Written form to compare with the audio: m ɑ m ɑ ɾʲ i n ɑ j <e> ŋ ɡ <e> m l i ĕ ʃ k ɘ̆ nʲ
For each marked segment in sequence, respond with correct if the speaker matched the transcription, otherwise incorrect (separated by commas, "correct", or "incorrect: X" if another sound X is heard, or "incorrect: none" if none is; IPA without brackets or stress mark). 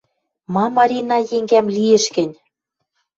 correct, incorrect: æ